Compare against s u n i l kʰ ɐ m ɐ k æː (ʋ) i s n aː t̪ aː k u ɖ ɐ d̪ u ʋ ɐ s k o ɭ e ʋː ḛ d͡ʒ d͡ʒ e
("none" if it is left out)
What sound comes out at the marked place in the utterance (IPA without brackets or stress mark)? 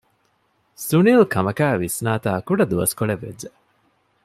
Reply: ʋ